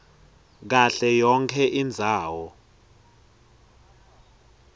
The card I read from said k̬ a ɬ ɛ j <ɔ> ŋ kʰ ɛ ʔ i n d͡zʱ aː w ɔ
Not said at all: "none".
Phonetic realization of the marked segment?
ɔ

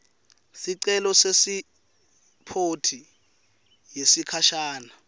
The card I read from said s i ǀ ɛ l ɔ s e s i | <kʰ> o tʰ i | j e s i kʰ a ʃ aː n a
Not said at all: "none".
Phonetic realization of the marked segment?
pʰ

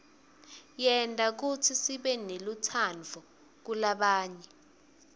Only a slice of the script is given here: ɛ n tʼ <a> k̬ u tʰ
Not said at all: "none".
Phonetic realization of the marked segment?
a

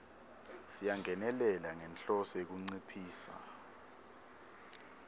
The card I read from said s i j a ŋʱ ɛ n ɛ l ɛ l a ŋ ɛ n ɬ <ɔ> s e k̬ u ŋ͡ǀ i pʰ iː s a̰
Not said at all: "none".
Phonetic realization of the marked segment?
ɔ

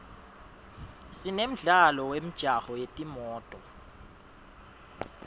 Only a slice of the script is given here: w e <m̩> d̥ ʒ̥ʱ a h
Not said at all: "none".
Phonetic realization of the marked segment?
m̩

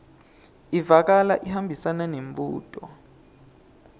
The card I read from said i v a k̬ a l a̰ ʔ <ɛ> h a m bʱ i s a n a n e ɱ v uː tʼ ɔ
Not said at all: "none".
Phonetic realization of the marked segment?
i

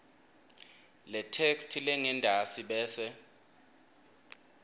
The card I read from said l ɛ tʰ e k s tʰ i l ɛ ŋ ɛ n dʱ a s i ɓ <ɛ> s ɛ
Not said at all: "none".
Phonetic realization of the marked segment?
ɛː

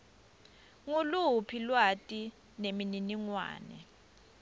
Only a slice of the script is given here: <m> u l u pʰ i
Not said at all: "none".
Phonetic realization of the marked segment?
ŋ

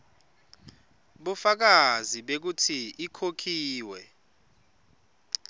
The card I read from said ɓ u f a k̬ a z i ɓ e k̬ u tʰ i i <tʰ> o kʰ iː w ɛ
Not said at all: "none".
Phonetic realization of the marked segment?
kʰ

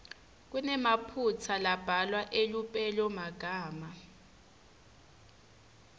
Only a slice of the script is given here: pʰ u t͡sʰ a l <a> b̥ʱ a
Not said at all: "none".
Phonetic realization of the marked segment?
a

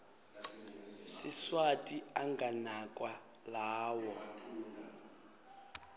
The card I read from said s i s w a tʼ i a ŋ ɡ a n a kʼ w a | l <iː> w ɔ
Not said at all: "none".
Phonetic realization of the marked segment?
aː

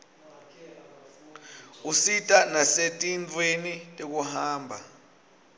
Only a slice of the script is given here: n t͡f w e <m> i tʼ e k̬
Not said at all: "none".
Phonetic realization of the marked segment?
n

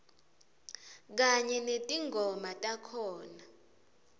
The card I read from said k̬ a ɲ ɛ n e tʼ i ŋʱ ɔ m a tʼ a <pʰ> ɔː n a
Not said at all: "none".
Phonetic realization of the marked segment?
kʰ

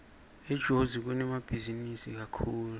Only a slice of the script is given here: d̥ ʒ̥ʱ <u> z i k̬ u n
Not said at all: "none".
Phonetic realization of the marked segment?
o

